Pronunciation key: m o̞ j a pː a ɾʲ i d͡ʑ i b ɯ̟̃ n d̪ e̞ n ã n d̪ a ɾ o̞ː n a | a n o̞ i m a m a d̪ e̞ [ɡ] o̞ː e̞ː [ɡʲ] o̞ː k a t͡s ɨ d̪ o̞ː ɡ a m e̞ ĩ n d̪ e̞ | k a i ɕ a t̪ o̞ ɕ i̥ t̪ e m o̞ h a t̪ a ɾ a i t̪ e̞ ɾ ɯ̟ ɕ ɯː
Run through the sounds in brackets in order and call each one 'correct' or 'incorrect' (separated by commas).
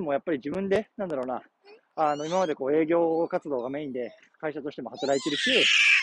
incorrect, correct